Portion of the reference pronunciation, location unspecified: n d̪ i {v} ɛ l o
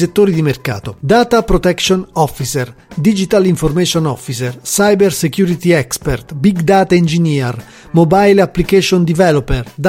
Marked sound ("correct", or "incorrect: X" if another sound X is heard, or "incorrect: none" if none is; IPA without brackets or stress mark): correct